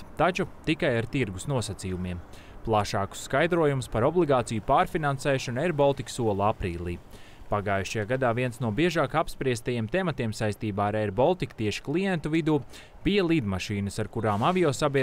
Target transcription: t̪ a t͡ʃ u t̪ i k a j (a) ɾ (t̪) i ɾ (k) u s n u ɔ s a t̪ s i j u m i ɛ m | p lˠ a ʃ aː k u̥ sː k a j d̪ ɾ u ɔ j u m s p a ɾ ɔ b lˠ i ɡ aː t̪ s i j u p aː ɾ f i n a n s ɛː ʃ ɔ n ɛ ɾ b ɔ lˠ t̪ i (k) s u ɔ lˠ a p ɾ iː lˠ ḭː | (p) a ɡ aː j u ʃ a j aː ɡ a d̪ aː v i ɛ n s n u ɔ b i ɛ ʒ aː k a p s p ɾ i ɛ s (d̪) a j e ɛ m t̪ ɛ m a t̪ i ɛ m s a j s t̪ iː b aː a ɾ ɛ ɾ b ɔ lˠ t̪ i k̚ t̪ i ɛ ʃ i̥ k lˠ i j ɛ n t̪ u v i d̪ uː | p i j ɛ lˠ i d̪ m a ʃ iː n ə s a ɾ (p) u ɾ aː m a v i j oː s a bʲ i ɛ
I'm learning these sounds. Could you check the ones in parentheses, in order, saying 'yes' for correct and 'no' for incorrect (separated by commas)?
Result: yes, yes, no, yes, yes, no, no